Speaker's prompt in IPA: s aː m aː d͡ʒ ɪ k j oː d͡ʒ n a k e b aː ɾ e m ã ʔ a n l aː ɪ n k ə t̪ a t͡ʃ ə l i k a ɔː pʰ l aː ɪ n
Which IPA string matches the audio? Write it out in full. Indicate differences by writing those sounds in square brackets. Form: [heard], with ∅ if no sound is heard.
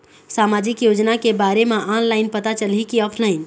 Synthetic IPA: s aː m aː d͡ʒ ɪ k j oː d͡ʒ n a k e b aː ɾ e m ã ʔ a n l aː ɪ n [p] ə t̪ a t͡ʃ ə l i k [i] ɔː pʰ l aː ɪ n